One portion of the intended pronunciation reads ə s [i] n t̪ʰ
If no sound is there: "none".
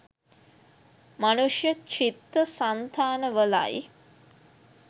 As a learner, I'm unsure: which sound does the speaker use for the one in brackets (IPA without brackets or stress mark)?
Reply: a